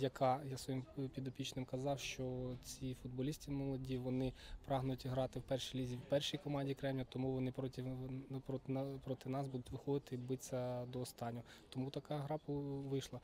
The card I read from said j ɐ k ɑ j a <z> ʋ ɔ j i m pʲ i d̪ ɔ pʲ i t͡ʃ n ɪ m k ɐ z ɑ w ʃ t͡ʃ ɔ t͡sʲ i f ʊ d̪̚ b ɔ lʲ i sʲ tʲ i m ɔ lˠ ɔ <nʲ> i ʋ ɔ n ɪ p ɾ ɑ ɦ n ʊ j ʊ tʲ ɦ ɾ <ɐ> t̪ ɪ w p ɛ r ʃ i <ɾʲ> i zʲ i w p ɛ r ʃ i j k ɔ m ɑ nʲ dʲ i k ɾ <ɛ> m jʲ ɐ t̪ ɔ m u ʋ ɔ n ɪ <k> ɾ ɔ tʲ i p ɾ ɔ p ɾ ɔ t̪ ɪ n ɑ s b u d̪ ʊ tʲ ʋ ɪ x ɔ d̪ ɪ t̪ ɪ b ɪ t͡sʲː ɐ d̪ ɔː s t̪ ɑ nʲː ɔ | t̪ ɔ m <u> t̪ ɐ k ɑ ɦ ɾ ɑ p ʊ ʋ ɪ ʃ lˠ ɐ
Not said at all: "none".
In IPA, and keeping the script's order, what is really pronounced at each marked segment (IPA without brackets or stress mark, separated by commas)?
s, dʲ, ɑ, lʲ, ɛ, p, u